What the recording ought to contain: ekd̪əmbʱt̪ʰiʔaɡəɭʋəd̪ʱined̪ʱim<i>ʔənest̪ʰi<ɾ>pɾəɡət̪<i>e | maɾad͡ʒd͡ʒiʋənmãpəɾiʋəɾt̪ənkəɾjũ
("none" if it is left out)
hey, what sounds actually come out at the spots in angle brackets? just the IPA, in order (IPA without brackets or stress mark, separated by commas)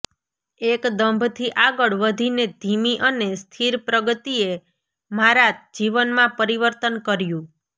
i, ɾ, i